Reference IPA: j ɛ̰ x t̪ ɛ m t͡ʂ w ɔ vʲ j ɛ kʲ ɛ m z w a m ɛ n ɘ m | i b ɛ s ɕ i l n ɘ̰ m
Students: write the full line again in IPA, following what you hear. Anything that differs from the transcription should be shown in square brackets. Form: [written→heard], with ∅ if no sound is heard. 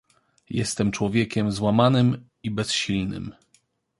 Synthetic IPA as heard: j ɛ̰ [x→s] t̪ ɛ m t͡ʂ w ɔ vʲ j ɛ kʲ ɛ m z w a m [ɛ→a] n ɘ m | i b ɛ s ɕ i l n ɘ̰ m